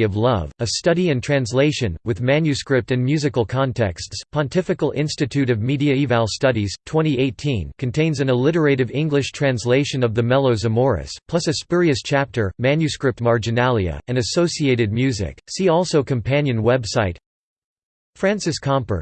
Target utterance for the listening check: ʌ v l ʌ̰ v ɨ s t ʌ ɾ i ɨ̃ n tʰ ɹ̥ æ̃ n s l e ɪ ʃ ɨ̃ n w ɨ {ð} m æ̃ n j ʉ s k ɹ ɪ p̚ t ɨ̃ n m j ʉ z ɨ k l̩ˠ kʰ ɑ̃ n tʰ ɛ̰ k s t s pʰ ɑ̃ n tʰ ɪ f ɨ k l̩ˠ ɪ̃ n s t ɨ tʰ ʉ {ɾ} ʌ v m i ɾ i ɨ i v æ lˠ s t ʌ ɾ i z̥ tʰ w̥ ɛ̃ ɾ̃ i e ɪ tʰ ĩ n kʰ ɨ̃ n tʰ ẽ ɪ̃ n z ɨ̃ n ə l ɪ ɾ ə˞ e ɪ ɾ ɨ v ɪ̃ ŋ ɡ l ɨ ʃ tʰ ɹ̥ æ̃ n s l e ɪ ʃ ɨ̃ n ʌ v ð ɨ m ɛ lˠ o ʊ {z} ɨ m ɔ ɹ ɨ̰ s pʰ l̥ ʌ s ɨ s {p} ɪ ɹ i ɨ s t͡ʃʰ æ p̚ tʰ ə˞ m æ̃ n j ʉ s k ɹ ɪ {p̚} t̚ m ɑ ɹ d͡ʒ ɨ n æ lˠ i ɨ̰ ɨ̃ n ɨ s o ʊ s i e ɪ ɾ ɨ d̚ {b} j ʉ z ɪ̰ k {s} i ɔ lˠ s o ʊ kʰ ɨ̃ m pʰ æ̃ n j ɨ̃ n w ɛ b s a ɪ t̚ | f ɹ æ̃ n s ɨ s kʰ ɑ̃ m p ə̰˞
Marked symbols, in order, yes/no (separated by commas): yes, yes, yes, yes, yes, no, yes